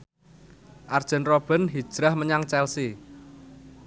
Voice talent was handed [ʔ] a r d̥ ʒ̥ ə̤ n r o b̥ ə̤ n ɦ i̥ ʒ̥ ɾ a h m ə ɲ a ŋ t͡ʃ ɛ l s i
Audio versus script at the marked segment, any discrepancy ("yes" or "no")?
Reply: no